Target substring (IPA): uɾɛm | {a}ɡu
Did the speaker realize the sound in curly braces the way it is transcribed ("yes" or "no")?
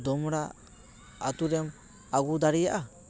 yes